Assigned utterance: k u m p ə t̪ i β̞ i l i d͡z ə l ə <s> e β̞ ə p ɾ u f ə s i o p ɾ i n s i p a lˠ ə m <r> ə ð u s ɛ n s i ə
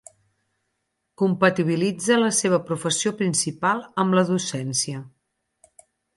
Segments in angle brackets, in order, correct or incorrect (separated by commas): correct, incorrect